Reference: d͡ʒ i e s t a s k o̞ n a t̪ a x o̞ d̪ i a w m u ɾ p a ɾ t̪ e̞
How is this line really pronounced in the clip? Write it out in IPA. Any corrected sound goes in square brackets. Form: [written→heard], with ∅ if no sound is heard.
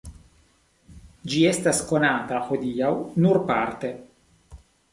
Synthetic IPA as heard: d͡ʒ i e s t a s k o̞ n a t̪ a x o̞ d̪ i a w [m→n] u ɾ p a ɾ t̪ e̞